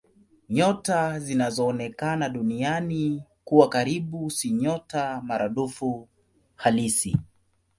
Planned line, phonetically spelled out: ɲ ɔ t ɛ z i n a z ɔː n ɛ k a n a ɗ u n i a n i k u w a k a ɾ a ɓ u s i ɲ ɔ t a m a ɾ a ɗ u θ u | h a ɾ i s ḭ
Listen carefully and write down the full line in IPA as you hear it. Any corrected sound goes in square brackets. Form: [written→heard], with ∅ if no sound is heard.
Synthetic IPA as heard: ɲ ɔ t [ɛ→a] z i n a z ɔː n ɛ k a n a ɗ u n i a n i k u w a k a ɾ [a→i] ɓ u s i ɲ ɔ t a m a ɾ a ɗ u [θ→f] u | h a [ɾ→l] i s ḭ